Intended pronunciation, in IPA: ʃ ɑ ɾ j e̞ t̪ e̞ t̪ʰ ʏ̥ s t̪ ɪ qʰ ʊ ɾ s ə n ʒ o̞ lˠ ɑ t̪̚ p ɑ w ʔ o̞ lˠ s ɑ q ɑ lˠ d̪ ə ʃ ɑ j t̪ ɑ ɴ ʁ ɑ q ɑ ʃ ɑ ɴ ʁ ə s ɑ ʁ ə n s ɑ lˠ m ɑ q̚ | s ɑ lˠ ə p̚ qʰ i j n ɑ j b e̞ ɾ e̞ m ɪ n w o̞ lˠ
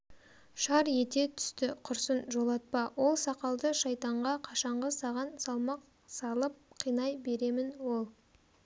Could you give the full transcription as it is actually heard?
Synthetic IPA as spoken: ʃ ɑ ɾ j e̞ t̪ e̞ t̪ʰ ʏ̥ s t̪ ɪ qʰ ʊ ɾ s ə n ʒ o̞ lˠ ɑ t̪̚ p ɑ w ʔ o̞ lˠ s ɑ q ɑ lˠ d̪ ə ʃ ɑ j t̪ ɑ ɴ ʁ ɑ qʰ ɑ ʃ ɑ ɴ ʁ ə s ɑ ʁ ɑ n s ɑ lˠ m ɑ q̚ | s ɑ lˠ ə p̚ qʰ i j n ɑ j b e̞ ɾ e̞ m ɪ n w o̞ lˠ

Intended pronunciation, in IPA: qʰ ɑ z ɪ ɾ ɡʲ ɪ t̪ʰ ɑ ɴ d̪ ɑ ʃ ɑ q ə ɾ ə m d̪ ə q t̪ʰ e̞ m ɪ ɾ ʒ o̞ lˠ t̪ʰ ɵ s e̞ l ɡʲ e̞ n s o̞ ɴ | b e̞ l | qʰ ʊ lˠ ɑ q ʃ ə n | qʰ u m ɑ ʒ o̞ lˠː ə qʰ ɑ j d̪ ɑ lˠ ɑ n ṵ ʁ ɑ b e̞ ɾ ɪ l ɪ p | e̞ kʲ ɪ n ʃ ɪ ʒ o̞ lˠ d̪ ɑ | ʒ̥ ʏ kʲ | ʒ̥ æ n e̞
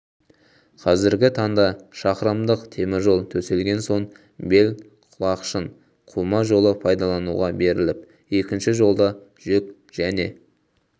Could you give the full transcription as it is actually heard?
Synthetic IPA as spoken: qʰ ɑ z ɪ ɾ ɡʲ ɪ t̪ʰ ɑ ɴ d̪ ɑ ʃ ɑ q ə ɾ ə m d̪ ə q t̪ʰ e̞ m ɪ ɾ ʒ o̞ lˠ t̪ʰ ɵ s e̞ l ɡʲ e̞ n s o̞ ɴ | b e̞ l | qʰ ʊ lˠ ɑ q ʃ ə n | qʰ u m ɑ ʒ o̞ lˠ ə pʰ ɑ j d̪ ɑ lˠ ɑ n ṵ ʁ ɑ b e̞ ɾ ɪ l ɪ p | e̞ kʲ ɪ n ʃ ɪ ʒ o̞ lˠ d̪ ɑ | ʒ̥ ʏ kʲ | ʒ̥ æ n e̞

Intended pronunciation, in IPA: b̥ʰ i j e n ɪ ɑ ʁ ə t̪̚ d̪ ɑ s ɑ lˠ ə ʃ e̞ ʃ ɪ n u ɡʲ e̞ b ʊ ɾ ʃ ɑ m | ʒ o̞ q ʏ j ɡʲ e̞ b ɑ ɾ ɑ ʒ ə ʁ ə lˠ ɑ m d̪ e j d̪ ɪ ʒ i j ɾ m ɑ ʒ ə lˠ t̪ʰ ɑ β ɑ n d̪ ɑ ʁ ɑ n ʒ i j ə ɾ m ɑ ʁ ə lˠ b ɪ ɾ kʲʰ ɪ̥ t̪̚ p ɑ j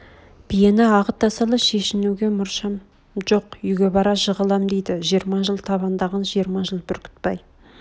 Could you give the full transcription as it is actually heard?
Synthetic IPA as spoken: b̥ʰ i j e n ɪ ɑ ʁ ə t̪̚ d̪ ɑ s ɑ lˠ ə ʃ e̞ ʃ ɪ n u ɡʲ e̞ m ʊ ɾ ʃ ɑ m | ʒ o̞ q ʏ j ɡʲ e̞ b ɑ ɾ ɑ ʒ ə ʁ ə lˠ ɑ m d̪ e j d̪ ɪ ʒ i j ɾ m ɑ ʒ ə lˠ t̪ʰ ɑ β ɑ n d̪ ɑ ʁ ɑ n ʒ i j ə ɾ m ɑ ʒ ə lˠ b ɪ ɾ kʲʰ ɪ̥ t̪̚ p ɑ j

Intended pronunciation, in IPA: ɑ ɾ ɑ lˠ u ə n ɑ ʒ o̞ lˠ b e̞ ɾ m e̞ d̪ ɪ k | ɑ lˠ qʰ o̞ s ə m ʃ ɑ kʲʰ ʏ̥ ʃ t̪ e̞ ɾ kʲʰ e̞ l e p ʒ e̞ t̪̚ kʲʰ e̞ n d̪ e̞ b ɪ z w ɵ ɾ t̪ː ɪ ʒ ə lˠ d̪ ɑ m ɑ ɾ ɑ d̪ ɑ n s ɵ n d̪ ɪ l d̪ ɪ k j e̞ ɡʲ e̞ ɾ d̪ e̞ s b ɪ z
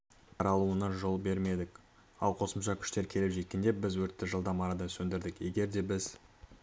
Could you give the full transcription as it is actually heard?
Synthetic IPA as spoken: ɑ ɾ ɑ lˠ u ə n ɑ ʒ o̞ lˠ b e̞ ɾ m e̞ d̪ ɪ k | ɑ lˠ qʰ o̞ s ə m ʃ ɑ kʲʰ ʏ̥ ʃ t̪ e̞ ɾ kʲʰ e̞ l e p ʒ e̞ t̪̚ kʲ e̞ n d̪ e̞ b ɪ z w ɵ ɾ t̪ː ɪ ʒ ə lˠ d̪ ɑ m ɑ ɾ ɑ d̪ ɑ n s ɵ n d̪ ɪ ɾ d̪ ɪ k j e̞ ɡʲ e̞ ɾ d̪ e̞ b ɪ z

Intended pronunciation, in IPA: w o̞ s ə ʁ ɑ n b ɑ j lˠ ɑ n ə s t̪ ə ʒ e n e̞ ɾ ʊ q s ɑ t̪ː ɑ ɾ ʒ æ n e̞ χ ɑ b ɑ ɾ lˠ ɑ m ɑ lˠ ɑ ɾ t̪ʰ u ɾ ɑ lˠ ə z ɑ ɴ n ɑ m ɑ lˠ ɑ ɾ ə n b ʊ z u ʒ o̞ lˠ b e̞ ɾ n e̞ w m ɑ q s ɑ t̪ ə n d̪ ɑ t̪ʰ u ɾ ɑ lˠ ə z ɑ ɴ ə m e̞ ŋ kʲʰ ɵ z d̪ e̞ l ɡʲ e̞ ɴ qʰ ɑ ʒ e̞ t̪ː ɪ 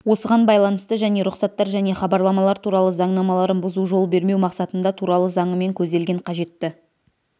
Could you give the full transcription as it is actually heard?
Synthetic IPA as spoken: w o̞ s ə ʁ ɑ n b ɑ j lˠ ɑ n ə s t̪ ə ʒ æ n e̞ ɾ ʊ q s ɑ t̪ː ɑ ɾ ʒ æ n e̞ χ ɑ b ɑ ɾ lˠ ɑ m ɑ lˠ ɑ ɾ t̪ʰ u ɾ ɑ lˠ ə z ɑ ɴ n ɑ m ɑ lˠ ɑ ɾ ə n b ʊ z u ʒ o̞ lˠ b e̞ ɾ m e̞ w m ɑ q s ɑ t̪ ə n d̪ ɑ t̪ʰ u ɾ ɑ lˠ ə z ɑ ɴ ə m e̞ ŋ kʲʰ ɵ z d̪ e̞ l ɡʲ e̞ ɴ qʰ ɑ ʒ e̞ t̪ː ɪ

